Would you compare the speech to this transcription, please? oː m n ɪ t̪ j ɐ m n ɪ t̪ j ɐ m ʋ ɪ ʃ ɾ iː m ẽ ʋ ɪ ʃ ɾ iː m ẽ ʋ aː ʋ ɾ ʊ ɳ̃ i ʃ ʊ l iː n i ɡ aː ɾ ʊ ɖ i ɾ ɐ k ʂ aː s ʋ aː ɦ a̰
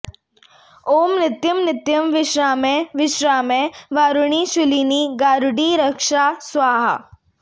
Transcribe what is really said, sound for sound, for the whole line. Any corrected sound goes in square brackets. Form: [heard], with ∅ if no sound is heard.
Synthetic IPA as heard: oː m n ɪ t̪ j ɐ m n ɪ t̪ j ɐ m ʋ ɪ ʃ ɾ [aː] m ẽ ʋ ɪ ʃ ɾ [aː] m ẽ ʋ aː [∅] ɾ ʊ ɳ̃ i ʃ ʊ l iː n i ɡ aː ɾ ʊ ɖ i ɾ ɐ k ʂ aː s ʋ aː ɦ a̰